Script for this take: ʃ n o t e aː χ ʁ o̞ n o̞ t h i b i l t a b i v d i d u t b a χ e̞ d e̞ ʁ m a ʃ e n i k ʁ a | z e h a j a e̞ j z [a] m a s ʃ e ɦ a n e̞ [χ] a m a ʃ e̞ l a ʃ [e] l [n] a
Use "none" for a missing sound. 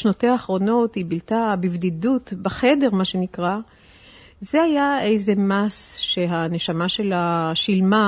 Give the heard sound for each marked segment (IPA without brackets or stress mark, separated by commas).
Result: e, ʃ, i, m